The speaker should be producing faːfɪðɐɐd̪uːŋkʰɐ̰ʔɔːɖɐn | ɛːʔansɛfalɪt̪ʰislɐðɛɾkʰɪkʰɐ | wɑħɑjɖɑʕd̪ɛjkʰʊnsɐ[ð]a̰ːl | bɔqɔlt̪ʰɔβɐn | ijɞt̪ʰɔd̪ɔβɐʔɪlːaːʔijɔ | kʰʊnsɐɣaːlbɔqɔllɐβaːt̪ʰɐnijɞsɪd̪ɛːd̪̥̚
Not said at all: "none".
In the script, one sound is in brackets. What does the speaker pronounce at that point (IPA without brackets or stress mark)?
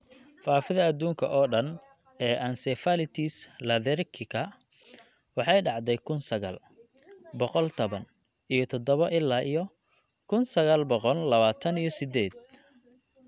ɣ